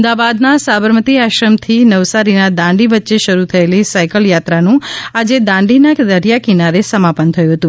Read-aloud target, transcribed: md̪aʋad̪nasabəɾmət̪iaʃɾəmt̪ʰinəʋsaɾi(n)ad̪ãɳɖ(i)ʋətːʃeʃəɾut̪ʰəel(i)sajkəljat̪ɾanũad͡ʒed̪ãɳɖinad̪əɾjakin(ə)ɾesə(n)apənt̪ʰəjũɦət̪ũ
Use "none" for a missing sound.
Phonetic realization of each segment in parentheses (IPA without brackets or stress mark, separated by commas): n, i, i, a, m